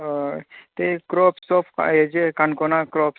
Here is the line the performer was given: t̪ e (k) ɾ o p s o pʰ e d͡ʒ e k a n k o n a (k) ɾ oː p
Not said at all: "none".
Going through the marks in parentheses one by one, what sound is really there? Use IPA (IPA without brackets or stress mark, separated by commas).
k, k